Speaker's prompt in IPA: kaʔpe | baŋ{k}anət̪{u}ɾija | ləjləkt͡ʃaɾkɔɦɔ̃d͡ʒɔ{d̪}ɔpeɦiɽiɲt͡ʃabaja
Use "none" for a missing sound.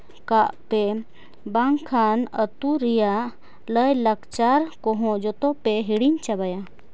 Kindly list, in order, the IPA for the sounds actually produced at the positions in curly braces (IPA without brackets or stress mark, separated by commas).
kʰ, u, t̪